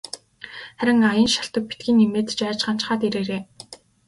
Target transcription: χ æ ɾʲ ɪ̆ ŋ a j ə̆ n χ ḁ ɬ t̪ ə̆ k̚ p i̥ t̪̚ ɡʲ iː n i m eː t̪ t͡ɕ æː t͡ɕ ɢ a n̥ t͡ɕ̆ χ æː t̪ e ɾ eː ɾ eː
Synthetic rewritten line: χ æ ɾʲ ɪ̆ ŋ a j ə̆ n ʃ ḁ ɬ t̪ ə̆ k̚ p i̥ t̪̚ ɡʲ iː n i m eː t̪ t͡ɕ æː t͡ɕ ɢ a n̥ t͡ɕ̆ χ aː t̪ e ɾ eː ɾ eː

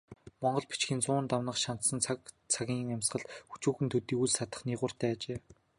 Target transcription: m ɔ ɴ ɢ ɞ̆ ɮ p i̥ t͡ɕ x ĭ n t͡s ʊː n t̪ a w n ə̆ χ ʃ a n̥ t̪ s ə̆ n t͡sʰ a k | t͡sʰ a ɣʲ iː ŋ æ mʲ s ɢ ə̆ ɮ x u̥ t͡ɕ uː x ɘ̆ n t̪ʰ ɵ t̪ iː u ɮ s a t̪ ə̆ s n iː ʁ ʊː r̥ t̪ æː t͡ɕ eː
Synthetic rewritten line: m ɔ ɴ ɢ ɞ̆ ɮ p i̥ t͡ɕ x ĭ n t͡s ʊː n t̪ a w n ə̆ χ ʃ a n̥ t̪ s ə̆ n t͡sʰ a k | t͡sʰ a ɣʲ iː ŋ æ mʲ s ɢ ə̆ ɮ x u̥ t͡ɕ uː x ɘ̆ n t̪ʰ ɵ t̪ iː u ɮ s a t̪ ə̆ χ n iː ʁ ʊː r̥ t̪ æː t͡ɕ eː

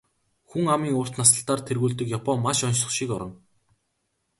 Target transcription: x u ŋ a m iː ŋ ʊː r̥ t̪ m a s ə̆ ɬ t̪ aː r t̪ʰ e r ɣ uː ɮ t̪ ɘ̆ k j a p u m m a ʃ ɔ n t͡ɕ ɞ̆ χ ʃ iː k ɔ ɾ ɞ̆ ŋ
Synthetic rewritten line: x u ŋ a m iː ŋ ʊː r̥ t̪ n a s ə̆ ɬ t̪ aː r t̪ʰ e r ɣ uː ɮ t̪ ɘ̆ k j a p ɔ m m a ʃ ɔ n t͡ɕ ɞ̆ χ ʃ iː k ɔ ɾ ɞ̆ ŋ

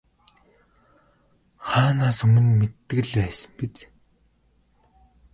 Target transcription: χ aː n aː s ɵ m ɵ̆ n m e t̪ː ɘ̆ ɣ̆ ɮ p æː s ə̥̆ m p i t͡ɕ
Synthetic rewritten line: χ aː n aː s ɵ m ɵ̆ n m e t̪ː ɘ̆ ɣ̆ ɮ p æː s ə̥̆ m p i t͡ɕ

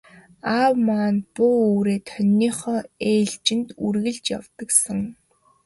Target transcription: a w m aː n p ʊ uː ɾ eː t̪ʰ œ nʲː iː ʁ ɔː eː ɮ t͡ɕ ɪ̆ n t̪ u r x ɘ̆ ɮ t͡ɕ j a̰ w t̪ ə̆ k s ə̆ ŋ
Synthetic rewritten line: a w m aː n p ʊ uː ɾ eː t̪ʰ œ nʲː iː χ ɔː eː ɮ t͡ɕ ɪ̆ n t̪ u r ɣ ɘ̆ ɮ t͡ɕ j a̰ w t̪ ə̆ k s ə̆ ŋ

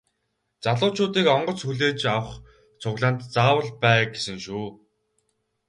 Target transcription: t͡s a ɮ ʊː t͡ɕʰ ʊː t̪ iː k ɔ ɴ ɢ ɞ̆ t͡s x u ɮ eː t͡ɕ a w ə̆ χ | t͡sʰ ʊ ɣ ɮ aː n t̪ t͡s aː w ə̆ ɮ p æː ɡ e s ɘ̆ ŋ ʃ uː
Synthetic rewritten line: t͡s a ɮ ʊː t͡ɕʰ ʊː t̪ iː k ɔ ɴ ɢ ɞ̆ t͡s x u ɮ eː t͡ɕ a w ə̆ χ | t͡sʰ ʊ ɣ ɮ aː n t̪ t͡s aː w ə̆ ɮ p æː ɡ e s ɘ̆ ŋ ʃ uː

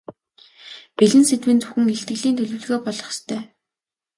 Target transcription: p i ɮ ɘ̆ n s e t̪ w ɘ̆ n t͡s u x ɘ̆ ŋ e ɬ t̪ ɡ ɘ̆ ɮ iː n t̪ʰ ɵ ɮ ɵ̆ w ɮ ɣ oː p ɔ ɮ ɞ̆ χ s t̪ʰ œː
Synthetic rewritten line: p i ɮ ɘ̆ n s e t̪ w ɘ̆ n t͡s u x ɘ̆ ŋ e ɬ t̪ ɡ ɘ̆ ɮ iː n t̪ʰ ɵ ɮ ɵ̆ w ɮ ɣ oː p ɔ ɮ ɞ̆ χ s t̪ʰ œː

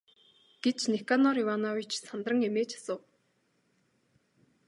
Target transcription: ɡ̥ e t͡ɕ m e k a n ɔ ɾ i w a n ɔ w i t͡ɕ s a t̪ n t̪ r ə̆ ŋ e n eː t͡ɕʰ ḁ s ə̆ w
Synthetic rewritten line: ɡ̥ e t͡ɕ n e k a n ɔ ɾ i w a n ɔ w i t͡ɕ s a n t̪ r ə̆ ŋ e m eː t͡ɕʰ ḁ s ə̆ w

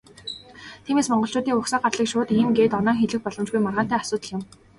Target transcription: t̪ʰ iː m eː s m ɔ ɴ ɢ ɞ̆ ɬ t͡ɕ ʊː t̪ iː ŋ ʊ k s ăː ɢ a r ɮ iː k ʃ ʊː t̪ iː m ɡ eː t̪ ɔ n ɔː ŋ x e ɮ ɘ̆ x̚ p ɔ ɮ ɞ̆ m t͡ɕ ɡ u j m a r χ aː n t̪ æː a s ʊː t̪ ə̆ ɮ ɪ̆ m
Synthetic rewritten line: t̪ʰ iː m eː s m ɔ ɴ ɢ ɞ̆ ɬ t͡ɕ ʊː t̪ iː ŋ ʊ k s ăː ɢ a r ɮ iː k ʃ ʊː t̪ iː m ɡ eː t̪ ɔ n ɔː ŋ x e ɮ ɘ̆ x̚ p ɔ ɮ ɞ̆ m t͡ɕ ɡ u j m a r ʁ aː n t̪ æː a s ʊː t̪ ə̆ ɮ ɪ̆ m

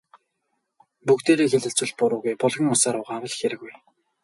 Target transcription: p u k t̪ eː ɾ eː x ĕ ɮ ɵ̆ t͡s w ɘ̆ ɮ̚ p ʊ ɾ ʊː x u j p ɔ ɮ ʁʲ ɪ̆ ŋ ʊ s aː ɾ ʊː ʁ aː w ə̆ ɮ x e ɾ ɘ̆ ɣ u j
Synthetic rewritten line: p u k t̪ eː ɾ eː x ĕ ɮ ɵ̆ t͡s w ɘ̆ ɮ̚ p ʊ ɾ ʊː ɣ u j p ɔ ɮ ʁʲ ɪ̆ ŋ ʊ s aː ɾ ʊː ʁ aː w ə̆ ɮ x e ɾ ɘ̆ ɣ u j

